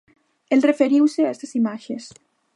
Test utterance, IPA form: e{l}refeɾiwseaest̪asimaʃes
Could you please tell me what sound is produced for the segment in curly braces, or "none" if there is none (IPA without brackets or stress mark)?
l